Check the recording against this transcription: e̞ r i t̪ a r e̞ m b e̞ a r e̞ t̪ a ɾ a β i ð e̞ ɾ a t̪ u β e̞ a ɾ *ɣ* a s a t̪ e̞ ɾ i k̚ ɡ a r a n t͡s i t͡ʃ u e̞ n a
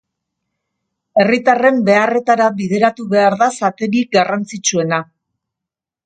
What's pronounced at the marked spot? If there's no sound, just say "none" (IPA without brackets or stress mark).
ð